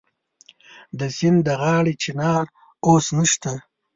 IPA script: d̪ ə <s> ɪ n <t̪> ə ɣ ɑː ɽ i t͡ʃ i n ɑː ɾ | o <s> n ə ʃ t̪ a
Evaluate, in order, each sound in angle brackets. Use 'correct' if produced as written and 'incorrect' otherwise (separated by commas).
correct, incorrect, correct